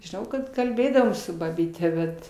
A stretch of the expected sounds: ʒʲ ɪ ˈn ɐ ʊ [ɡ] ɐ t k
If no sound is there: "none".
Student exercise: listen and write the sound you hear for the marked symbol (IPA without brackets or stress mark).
k